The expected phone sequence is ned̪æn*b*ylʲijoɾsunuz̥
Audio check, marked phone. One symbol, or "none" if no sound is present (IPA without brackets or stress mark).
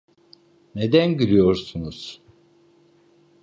ɟ